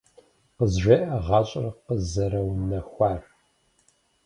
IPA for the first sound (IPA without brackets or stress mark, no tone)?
q